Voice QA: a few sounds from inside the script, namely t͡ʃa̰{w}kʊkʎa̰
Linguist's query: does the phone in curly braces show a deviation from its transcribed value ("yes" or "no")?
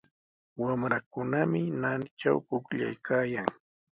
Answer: no